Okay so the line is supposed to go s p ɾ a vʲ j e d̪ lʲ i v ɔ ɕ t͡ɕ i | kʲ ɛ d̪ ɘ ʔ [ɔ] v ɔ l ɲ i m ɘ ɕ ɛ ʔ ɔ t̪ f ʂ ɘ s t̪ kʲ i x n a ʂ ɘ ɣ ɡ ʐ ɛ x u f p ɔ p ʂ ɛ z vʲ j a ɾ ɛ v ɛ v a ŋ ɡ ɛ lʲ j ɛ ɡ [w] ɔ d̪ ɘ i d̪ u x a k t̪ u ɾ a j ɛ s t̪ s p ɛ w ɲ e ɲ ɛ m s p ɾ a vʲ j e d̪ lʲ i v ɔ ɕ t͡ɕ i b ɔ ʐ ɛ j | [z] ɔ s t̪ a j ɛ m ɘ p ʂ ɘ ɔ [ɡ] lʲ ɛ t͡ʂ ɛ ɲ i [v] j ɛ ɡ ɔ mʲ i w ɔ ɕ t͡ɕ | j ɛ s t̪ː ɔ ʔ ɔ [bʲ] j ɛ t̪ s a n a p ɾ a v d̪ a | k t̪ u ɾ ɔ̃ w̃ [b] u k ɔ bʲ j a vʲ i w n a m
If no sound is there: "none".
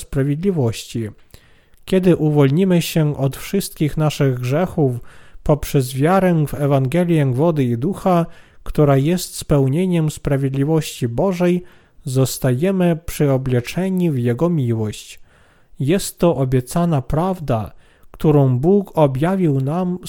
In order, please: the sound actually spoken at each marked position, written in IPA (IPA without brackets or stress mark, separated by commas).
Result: u, v, z, b, v, bʲ, b